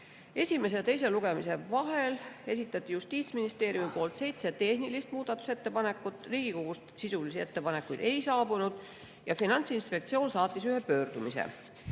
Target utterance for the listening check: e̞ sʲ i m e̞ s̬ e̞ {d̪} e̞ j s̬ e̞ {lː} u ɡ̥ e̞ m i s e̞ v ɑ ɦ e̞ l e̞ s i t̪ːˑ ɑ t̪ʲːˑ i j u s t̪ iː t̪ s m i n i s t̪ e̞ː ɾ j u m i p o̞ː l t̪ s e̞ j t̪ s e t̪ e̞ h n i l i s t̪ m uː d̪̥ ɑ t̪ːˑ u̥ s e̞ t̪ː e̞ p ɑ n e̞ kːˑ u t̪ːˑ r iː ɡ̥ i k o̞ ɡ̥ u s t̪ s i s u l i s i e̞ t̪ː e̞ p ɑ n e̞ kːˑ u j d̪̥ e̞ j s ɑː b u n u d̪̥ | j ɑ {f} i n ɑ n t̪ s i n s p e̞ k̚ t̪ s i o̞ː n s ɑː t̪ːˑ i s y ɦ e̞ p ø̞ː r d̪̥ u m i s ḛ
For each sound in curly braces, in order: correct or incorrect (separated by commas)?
incorrect, incorrect, correct